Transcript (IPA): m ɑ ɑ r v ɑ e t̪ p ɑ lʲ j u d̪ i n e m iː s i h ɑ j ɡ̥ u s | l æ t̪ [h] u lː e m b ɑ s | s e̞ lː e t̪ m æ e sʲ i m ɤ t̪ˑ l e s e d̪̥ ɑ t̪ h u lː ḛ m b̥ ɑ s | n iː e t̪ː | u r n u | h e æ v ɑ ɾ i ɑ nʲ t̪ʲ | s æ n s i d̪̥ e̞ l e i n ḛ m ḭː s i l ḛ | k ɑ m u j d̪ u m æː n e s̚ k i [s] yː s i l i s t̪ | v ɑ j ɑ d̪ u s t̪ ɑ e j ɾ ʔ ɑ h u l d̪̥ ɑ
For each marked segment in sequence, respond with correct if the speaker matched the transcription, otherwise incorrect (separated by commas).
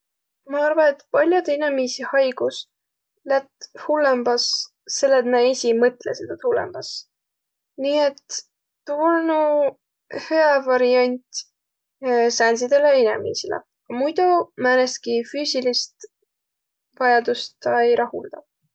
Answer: correct, incorrect